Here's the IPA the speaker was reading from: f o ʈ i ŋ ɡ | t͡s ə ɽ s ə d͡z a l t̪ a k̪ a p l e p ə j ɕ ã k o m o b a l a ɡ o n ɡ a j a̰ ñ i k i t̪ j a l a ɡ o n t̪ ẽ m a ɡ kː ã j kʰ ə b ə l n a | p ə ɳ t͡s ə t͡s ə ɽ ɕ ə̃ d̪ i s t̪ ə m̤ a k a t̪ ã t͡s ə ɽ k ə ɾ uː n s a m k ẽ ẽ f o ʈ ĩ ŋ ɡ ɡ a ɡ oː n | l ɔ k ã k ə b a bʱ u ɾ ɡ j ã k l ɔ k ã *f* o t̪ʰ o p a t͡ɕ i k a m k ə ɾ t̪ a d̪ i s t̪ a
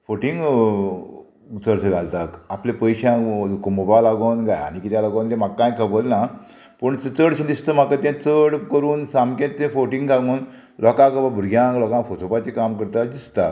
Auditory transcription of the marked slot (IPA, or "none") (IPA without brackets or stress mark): f